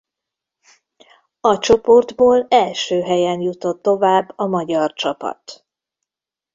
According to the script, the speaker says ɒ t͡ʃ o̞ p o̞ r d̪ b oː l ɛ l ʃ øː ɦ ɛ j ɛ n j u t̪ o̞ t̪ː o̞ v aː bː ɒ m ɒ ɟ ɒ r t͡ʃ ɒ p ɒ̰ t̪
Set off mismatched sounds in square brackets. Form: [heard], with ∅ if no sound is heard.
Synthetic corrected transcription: ɒ t͡ʃ o̞ p o̞ r d̪ b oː l ɛ l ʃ øː ɦ ɛ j ɛ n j u t̪ o̞ t̪ː o̞ v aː bː ɒ m ɒ ɟ ɒ r t͡ʃ ɒ p ɒ̰ t̪